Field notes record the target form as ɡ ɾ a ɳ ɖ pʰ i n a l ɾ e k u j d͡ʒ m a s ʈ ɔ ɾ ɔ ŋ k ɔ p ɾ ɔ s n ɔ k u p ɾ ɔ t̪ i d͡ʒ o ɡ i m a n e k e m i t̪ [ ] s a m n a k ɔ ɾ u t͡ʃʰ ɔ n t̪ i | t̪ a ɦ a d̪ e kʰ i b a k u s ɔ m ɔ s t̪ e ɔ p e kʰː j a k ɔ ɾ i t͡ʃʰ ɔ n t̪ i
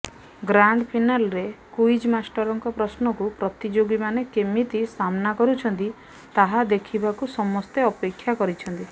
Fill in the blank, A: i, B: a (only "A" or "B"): A